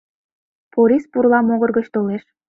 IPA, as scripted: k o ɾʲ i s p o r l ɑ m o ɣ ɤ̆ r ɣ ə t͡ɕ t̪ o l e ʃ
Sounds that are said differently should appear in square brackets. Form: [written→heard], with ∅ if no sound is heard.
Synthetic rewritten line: [k→p] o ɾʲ i s p [o→u] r l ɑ m o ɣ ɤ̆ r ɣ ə t͡ɕ t̪ o l e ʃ